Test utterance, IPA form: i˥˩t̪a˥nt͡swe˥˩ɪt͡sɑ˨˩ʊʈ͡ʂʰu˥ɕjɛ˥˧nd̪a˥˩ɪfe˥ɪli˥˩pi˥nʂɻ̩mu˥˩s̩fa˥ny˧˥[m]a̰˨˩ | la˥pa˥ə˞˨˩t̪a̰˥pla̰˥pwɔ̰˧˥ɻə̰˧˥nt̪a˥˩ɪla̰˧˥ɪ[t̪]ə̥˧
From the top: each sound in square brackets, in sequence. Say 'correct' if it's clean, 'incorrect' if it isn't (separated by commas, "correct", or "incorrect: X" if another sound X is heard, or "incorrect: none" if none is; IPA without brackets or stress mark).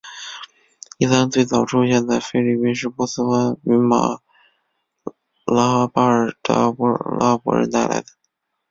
correct, incorrect: d̪